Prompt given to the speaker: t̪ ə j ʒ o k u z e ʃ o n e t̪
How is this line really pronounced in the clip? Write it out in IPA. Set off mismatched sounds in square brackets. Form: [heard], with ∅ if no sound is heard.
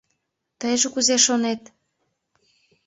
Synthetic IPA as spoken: t̪ ə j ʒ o k u z e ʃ o n e t̪